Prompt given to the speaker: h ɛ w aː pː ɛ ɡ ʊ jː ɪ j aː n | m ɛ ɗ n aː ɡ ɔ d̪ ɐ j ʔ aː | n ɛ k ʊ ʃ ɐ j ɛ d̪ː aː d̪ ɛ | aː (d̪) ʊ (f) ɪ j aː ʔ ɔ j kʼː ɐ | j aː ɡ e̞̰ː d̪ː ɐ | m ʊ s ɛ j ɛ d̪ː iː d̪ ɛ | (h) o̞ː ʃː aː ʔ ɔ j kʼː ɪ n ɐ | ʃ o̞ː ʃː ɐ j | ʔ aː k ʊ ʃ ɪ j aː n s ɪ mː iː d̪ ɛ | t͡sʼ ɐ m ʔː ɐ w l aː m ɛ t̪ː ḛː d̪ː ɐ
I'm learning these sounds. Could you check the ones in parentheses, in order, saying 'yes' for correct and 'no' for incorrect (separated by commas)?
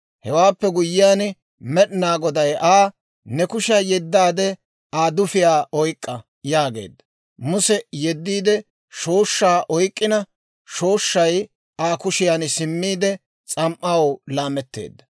yes, yes, no